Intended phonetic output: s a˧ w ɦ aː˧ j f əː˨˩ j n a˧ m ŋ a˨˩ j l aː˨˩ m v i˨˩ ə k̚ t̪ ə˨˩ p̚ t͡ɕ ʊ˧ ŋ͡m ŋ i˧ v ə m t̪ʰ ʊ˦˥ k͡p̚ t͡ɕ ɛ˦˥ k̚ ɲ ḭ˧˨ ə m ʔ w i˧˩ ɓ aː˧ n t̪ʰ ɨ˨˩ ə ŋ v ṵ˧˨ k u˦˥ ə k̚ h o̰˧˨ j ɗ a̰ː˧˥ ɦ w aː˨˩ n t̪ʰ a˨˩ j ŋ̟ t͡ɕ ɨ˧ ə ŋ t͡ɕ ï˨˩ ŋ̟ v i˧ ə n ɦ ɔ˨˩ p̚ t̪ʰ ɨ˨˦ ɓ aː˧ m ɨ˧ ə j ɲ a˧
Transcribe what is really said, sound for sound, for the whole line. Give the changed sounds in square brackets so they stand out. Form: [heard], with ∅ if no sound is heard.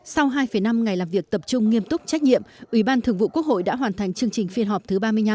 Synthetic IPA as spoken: s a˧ w ɦ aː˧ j f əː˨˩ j n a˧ m ŋ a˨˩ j l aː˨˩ m v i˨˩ ə k̚ t̪ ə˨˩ p̚ t͡ɕ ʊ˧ ŋ͡m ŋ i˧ [∅] ə m [t̪] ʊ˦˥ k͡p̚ t͡ɕ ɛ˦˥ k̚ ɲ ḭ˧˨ ə m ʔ w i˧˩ ɓ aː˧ n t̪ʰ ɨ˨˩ ə ŋ v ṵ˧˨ k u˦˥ ə k̚ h o̰˧˨ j ɗ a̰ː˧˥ ɦ w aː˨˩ n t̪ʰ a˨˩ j ŋ̟ t͡ɕ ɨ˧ ə ŋ t͡ɕ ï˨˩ ŋ̟ [f] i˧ ə n ɦ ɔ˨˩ p̚ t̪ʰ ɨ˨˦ ɓ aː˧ m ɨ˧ ə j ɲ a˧